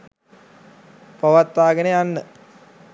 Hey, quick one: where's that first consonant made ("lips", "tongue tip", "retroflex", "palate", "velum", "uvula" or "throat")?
lips